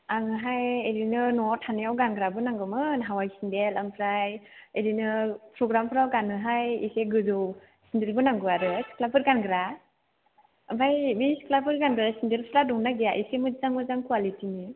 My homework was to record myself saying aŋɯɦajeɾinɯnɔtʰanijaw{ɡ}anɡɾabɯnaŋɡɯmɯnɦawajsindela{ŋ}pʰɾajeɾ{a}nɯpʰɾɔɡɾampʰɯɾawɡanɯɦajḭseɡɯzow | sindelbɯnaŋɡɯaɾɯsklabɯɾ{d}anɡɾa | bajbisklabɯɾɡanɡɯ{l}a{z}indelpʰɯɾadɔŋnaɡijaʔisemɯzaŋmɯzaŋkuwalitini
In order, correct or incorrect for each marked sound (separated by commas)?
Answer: correct, incorrect, incorrect, incorrect, incorrect, incorrect